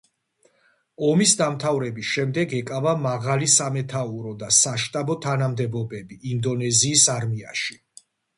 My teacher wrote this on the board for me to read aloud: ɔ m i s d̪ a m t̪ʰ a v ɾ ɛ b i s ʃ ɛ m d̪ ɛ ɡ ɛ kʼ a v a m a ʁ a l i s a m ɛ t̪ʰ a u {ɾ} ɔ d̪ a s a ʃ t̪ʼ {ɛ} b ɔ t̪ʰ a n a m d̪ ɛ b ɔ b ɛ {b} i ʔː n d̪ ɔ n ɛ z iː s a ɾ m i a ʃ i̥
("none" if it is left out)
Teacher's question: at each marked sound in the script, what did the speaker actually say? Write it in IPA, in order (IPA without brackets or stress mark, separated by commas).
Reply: ɾ, a, b